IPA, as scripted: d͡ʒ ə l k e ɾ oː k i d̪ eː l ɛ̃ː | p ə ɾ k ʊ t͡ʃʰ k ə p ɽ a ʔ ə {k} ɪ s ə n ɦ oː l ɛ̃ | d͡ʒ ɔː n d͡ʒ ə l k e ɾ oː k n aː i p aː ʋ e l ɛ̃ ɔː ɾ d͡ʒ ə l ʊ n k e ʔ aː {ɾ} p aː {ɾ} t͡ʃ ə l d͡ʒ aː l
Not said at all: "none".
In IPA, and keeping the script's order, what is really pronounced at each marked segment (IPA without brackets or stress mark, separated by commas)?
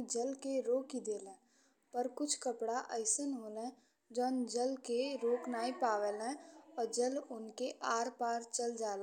none, ɾ, ɾ